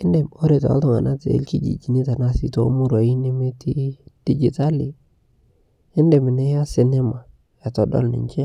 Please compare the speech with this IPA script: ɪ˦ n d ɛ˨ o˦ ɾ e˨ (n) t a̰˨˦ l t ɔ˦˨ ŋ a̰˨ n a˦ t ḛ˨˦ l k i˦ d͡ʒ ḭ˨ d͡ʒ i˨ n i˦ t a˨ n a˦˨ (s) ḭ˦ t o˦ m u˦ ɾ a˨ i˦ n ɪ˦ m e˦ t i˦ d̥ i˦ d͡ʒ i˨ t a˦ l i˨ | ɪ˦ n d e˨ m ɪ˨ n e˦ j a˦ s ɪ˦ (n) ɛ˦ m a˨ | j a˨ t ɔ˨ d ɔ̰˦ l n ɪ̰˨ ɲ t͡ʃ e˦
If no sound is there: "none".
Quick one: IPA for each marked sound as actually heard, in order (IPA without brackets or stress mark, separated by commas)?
none, s, n